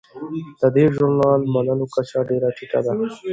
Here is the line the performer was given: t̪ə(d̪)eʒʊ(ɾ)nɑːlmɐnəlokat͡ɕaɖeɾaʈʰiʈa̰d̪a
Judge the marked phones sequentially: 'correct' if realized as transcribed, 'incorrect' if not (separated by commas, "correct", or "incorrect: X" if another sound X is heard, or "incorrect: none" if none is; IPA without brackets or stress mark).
correct, correct